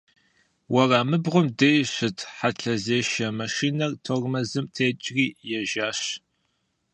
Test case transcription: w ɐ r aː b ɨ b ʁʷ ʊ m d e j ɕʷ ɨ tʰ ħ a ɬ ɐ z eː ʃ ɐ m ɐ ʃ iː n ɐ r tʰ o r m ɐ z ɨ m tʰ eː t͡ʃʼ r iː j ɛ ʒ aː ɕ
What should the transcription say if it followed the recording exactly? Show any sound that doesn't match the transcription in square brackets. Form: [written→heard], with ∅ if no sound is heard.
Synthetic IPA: w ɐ r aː [b→m] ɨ b ʁʷ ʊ m d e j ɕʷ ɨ tʰ ħ a ɬ ɐ z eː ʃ ɐ m ɐ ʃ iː n ɐ r tʰ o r m ɐ z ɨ m tʰ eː t͡ʃʼ r iː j ɛ ʒ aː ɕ